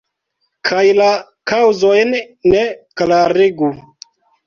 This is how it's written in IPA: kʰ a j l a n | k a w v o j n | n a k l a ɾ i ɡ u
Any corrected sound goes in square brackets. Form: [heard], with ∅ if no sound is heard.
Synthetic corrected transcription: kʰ a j l a [∅] | k a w [z] o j n | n [e] k l a ɾ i ɡ u